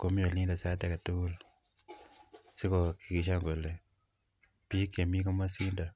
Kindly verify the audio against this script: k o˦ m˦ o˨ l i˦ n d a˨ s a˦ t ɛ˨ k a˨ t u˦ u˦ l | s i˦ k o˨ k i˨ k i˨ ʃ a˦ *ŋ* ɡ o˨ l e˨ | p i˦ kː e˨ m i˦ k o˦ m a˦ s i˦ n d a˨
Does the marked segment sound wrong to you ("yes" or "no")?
no